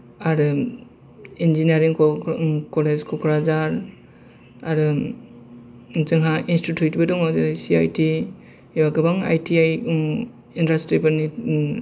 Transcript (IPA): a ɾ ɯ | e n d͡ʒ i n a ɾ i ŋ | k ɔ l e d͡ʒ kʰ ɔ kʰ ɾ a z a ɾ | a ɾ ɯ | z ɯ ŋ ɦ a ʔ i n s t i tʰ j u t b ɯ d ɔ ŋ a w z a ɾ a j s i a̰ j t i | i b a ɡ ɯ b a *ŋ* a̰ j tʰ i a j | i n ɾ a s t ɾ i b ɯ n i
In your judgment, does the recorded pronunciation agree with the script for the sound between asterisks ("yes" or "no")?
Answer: yes